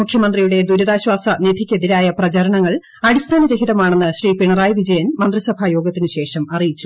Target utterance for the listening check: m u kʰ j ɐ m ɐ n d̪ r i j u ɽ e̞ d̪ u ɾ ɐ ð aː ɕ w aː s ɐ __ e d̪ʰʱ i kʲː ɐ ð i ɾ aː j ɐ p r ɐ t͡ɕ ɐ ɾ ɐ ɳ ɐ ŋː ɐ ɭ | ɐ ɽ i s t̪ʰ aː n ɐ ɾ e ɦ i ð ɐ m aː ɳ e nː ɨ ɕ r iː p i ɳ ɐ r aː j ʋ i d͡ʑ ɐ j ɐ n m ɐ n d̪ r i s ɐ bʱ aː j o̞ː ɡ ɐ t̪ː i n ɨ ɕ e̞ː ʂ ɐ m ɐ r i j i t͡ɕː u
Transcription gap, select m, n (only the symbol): n